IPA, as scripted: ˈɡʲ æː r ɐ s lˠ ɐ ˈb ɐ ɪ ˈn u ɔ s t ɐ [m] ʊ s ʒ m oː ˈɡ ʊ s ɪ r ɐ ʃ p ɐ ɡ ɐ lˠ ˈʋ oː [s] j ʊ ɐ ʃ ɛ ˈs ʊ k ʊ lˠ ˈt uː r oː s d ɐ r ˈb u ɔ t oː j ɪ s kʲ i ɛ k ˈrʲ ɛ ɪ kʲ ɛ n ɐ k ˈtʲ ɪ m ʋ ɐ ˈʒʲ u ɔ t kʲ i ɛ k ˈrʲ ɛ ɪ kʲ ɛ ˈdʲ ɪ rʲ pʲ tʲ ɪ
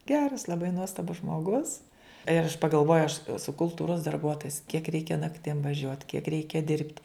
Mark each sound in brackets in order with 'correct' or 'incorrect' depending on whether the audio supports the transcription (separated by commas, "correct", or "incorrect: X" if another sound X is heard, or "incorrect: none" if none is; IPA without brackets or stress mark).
incorrect: b, incorrect: none